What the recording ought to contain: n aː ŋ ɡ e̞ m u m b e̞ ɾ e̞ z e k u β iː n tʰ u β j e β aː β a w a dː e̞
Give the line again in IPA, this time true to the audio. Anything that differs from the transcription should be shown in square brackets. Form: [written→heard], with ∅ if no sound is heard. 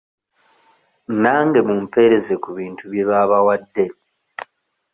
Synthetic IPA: n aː ŋ ɡ e̞ m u m [b→p] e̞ ɾ e̞ z e k u β iː n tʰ u β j e β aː β a w a dː e̞